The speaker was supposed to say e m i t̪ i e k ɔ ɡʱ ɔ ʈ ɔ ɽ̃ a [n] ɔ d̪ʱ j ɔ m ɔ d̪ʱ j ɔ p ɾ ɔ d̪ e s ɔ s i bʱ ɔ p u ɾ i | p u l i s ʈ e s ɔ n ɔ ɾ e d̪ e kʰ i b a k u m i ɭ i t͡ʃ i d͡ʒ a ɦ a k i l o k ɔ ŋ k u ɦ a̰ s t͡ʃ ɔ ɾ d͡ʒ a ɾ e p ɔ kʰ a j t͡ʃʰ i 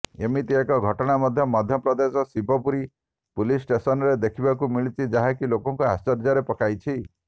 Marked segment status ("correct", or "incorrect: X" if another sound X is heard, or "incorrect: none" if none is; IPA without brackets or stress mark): incorrect: m